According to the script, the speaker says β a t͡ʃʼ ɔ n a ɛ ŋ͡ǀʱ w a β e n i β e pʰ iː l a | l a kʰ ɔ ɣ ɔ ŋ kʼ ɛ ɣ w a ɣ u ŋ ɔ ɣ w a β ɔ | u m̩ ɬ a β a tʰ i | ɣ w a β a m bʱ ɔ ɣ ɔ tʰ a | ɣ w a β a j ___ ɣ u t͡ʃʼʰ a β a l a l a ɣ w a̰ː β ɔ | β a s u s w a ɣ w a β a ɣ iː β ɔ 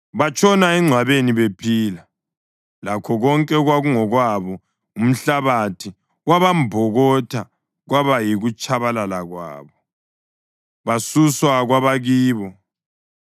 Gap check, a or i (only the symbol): i